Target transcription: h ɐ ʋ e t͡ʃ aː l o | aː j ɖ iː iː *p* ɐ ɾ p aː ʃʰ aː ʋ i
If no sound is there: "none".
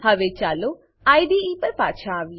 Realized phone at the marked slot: p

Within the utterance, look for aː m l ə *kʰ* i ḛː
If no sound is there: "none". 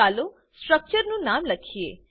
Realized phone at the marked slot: kʰ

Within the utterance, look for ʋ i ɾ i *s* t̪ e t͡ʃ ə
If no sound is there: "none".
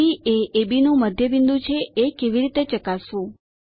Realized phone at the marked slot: none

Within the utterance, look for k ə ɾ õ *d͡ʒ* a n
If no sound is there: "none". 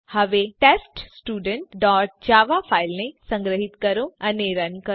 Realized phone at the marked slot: none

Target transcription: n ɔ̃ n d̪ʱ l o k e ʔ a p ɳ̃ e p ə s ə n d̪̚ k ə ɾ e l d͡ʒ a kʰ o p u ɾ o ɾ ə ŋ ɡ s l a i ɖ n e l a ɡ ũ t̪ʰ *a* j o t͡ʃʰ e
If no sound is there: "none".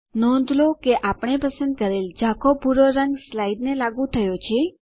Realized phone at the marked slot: ə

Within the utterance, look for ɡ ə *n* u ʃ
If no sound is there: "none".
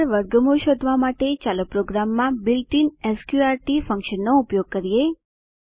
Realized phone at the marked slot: m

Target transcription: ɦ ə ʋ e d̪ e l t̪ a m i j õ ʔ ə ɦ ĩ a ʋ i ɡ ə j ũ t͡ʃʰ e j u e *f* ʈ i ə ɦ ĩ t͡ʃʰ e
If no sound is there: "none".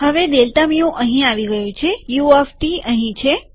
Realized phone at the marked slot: f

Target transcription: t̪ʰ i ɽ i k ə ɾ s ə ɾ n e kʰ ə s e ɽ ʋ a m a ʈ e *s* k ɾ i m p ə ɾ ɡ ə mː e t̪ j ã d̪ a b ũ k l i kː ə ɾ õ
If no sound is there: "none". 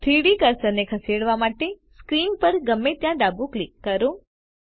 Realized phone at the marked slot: s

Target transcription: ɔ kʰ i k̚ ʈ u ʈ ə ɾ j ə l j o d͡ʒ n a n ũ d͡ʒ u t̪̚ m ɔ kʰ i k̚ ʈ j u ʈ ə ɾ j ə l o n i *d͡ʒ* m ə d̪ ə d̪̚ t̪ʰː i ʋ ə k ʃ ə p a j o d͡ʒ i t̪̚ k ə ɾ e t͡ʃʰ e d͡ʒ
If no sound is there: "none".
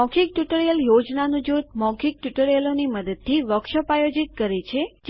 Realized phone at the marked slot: none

